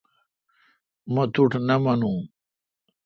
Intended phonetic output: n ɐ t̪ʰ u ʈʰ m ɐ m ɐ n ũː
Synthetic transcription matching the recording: m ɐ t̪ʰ u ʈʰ n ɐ m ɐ n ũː